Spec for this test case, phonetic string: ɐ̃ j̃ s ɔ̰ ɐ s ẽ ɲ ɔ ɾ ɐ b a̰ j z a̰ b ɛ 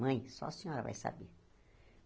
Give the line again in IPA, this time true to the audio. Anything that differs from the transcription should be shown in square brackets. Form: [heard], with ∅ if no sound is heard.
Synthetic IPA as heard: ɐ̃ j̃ s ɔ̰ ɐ s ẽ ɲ ɔ ɾ ɐ [v] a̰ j [s] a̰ b [e]